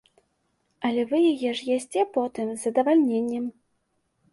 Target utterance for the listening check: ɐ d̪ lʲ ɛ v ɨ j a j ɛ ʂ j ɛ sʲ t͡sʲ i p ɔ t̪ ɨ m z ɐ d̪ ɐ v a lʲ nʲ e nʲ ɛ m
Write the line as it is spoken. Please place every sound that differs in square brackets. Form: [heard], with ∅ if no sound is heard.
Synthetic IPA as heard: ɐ [∅] lʲ ɛ v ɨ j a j ɛ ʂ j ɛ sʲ t͡sʲ [ɛ] p ɔ t̪ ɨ m z ɐ d̪ ɐ v a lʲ nʲ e [nʲː] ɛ m